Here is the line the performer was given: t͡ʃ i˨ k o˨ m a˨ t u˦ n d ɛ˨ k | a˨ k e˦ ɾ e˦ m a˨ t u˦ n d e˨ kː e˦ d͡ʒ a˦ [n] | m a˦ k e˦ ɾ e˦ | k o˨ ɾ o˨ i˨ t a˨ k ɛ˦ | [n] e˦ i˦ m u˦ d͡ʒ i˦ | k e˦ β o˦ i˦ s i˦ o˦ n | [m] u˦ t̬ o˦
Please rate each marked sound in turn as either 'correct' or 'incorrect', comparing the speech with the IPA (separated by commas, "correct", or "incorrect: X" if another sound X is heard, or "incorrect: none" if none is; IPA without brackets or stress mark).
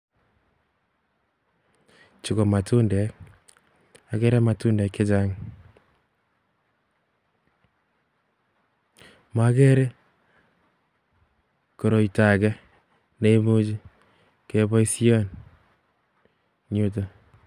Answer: incorrect: ŋ, correct, incorrect: ɲ